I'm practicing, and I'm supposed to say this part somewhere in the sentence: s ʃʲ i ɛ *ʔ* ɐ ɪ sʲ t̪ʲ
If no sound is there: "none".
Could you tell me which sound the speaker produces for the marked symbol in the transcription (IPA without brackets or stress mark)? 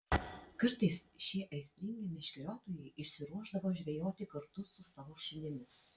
ʔ